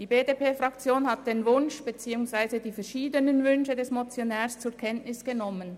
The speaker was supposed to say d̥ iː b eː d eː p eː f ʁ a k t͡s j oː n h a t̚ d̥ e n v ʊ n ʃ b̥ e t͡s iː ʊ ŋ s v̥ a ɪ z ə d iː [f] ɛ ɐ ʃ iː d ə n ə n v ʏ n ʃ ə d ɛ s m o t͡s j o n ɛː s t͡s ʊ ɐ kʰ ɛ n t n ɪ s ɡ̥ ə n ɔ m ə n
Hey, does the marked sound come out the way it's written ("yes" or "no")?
yes